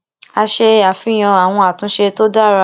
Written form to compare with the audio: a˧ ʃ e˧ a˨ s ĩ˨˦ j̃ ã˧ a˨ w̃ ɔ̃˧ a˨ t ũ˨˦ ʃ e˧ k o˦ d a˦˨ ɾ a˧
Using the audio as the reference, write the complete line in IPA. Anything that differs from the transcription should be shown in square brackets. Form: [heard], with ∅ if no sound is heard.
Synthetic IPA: a˧ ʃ e˧ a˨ [f] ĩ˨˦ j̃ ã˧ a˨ w̃ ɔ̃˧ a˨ t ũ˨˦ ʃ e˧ [t] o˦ d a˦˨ ɾ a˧